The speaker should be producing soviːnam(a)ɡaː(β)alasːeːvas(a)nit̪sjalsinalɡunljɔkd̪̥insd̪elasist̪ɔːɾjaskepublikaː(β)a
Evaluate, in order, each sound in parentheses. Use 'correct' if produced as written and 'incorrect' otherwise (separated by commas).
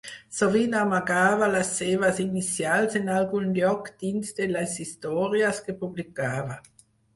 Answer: correct, incorrect, incorrect, incorrect